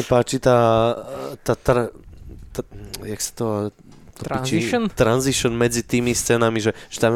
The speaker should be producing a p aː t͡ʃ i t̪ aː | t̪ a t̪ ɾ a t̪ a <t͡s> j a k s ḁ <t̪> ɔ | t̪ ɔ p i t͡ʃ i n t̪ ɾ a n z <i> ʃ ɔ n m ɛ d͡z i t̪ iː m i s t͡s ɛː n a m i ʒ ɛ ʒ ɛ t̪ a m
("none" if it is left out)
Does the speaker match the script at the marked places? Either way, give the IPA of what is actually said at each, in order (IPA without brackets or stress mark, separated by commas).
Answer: none, t̪, i